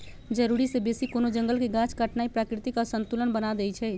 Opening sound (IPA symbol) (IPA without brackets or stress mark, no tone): d͡ʒ